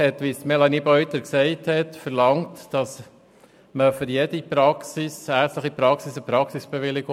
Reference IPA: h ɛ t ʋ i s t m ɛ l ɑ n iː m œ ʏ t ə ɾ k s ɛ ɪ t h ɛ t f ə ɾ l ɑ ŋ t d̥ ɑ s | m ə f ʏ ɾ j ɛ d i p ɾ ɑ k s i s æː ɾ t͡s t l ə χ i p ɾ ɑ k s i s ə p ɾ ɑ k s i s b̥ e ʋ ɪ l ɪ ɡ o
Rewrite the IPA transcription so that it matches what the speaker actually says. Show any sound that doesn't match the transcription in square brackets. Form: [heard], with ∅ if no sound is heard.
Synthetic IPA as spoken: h ɛ t ʋ i s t m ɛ l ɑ n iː [b] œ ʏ t ə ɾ k s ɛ ɪ t h ɛ t f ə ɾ l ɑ ŋ t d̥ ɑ s | m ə f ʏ ɾ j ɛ d i p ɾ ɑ k s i s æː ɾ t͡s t l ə χ i p ɾ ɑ k s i s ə p ɾ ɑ k s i s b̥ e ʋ ɪ l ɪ ɡ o